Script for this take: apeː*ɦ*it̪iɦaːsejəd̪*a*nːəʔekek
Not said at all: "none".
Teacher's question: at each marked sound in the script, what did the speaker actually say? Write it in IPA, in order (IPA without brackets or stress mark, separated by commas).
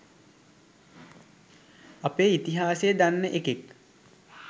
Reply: none, a